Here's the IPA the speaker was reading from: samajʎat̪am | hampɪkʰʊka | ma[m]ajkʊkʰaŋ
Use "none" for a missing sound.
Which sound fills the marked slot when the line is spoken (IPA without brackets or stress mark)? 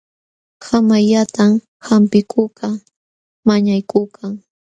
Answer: ɲ